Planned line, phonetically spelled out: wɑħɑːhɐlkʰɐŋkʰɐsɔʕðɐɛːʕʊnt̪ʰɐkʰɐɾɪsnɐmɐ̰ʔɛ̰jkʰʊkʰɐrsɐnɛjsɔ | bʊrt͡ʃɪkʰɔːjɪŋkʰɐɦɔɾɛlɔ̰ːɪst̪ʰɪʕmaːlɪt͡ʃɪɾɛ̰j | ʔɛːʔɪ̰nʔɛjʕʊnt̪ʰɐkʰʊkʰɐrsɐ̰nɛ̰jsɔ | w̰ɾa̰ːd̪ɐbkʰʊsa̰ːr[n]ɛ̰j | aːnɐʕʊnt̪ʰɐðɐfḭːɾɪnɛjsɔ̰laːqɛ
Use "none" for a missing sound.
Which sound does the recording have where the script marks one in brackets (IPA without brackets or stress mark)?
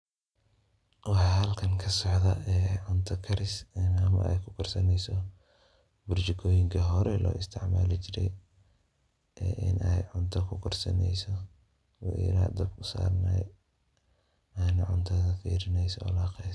n